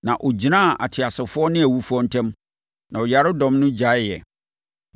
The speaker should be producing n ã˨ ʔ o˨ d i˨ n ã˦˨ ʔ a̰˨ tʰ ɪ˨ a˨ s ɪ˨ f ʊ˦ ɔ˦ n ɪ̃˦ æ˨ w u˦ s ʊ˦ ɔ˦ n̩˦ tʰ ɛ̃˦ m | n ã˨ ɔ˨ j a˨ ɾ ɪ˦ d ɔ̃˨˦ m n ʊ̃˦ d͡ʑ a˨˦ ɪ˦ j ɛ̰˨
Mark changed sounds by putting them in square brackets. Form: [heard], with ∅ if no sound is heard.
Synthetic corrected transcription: n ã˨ ʔ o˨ [d͡ʑ] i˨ n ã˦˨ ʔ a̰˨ tʰ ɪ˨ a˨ s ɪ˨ f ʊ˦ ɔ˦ n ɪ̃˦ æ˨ w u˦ [f] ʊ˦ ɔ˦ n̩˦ tʰ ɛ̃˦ m | n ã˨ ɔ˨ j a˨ ɾ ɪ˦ d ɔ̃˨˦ m n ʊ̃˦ d͡ʑ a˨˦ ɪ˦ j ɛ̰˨